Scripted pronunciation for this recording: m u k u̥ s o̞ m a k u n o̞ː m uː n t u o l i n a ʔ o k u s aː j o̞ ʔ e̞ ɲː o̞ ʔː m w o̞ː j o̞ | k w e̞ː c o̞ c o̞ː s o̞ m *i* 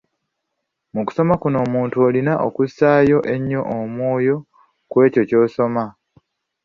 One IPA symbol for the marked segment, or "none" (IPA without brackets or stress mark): a